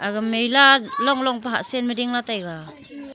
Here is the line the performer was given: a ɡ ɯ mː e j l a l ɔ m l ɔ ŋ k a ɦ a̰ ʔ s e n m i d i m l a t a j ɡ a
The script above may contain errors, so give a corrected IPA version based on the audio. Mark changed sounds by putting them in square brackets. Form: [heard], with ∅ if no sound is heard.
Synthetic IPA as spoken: a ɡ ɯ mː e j l a l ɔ [ŋ] l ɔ ŋ [p] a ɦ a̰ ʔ s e n m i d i [ŋ] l a t a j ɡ a